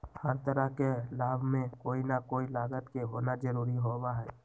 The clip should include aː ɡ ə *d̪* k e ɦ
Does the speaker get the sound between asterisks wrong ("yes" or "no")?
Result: yes